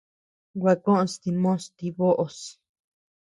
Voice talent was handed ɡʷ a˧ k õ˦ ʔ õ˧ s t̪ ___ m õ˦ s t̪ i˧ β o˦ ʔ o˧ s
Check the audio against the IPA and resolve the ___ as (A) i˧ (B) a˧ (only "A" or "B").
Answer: A